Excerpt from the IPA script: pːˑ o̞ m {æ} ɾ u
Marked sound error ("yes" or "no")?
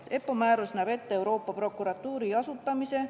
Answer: yes